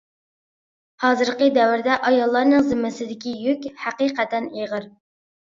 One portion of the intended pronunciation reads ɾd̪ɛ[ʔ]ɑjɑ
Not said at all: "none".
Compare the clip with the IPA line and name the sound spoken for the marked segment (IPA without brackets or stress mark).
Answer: ʔ